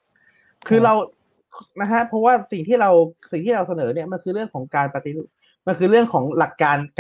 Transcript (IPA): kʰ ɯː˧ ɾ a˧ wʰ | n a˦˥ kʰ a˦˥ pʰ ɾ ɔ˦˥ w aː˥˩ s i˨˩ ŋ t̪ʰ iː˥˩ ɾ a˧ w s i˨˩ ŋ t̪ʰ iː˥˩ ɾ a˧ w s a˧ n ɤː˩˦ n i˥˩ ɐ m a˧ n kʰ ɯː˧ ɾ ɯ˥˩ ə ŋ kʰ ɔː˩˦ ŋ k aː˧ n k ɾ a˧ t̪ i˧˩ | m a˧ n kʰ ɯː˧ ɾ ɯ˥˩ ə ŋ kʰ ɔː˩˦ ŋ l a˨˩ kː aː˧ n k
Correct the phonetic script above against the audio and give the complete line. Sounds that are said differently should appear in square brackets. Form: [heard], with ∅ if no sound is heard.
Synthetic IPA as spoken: kʰ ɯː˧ ɾ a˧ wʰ | n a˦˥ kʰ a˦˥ pʰ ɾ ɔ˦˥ w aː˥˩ s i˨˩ ŋ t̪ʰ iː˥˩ ɾ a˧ w s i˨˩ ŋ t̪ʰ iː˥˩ ɾ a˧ w s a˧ n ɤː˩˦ n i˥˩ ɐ m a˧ n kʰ ɯː˧ ɾ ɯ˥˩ ə ŋ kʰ ɔː˩˦ ŋ k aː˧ n [p] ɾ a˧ t̪ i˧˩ | m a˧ n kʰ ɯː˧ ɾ ɯ˥˩ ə ŋ kʰ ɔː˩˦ ŋ l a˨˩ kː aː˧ n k